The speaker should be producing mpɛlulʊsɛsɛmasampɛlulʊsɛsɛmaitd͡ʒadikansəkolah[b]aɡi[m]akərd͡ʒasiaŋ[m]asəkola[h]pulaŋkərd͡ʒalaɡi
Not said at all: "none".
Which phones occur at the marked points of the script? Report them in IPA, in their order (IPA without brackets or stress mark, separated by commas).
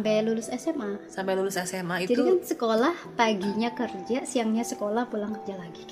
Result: p, ɲ, ɲ, h